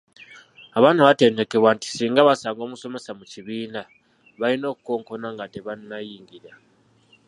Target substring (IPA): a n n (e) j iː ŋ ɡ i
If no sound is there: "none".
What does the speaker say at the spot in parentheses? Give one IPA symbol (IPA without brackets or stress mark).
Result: a